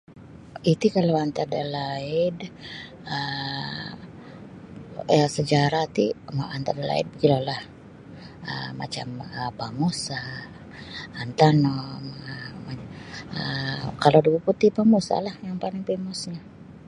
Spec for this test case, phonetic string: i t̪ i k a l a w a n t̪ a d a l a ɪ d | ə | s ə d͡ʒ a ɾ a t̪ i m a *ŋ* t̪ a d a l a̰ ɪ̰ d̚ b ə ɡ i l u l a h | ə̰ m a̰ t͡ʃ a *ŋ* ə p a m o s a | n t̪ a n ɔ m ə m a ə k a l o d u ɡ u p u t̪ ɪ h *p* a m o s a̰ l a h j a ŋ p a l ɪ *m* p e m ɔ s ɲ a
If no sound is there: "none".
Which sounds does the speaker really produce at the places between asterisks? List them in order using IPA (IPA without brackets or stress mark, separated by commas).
n, m, p, ŋ